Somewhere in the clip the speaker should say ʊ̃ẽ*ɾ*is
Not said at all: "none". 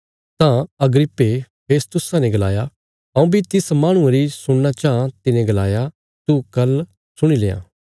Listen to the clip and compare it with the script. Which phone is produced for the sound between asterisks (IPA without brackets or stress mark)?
ɾ